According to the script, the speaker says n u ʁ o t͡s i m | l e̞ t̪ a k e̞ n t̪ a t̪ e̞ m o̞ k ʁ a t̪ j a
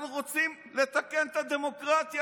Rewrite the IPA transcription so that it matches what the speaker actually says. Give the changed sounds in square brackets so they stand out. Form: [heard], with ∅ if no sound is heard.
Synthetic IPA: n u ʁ o t͡s i m | l e̞ t̪ a k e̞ n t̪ a [d̪] e̞ m o̞ k ʁ a t̪ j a